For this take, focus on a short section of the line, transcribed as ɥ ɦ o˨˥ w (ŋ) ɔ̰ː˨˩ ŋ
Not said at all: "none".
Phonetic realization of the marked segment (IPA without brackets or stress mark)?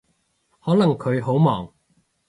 m